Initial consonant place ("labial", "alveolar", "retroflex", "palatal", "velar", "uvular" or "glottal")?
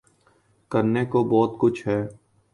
velar